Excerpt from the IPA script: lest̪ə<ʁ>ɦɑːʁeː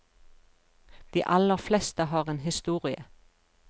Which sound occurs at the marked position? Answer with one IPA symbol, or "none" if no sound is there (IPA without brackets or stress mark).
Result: none